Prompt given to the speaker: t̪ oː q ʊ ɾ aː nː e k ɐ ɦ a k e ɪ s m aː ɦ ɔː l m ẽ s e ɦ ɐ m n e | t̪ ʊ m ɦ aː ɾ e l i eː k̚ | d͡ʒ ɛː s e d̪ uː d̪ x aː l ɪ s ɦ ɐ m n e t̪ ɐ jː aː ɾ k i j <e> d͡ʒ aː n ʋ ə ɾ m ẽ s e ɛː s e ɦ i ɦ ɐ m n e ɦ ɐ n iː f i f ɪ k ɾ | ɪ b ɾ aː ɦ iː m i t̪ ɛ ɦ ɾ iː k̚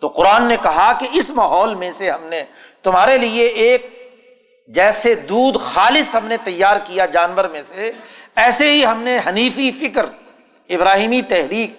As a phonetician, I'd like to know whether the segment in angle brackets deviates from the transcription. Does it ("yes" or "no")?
yes